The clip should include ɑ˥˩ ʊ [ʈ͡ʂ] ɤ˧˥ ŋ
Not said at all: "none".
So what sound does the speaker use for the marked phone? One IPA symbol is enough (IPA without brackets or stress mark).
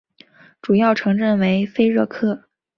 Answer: ʈ͡ʂʰ